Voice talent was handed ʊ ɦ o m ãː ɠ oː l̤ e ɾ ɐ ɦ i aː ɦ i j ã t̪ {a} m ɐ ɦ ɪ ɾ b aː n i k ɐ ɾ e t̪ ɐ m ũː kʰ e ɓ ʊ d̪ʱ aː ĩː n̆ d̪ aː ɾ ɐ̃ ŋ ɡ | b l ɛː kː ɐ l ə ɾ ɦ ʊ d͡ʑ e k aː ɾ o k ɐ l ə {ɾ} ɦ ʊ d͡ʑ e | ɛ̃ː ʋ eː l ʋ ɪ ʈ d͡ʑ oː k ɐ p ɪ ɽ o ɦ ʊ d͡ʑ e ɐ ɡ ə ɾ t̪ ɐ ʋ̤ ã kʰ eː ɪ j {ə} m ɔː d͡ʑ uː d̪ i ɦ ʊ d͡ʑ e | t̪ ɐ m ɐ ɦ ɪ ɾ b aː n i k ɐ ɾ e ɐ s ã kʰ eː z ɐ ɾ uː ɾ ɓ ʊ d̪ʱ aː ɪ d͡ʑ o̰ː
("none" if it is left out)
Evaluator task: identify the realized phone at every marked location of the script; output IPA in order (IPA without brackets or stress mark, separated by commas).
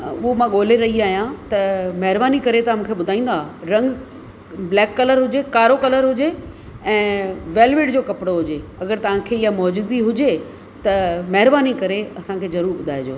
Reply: ɐ, ɾ, a